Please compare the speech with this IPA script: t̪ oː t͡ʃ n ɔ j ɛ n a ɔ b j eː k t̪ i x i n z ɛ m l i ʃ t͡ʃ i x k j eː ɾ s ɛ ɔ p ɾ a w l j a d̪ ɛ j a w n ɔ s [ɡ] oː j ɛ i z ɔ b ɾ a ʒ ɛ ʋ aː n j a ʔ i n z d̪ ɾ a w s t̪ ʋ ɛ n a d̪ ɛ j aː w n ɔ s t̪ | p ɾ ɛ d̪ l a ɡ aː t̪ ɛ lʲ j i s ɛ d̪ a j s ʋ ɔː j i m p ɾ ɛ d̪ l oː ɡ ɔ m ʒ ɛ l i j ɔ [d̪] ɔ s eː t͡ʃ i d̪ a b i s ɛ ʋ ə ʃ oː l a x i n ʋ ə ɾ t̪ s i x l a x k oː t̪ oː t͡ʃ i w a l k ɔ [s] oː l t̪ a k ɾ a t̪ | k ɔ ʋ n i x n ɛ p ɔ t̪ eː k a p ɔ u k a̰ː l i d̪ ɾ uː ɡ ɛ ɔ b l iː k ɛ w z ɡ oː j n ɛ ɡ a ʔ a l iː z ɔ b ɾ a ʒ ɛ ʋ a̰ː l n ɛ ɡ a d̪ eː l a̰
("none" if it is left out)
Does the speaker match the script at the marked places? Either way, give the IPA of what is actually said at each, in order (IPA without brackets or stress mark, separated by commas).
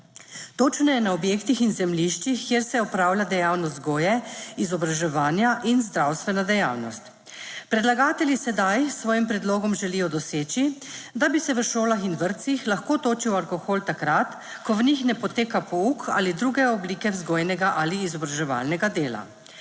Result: ɡ, d̪, x